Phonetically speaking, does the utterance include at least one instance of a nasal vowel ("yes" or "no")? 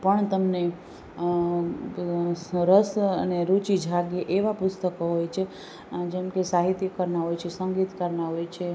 no